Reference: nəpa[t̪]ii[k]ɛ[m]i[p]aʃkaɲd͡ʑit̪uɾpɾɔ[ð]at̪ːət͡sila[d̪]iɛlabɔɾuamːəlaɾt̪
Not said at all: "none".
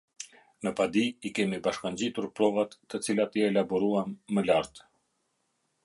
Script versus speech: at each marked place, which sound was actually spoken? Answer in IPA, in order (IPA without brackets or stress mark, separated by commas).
d̪, k, m, b, v, t̪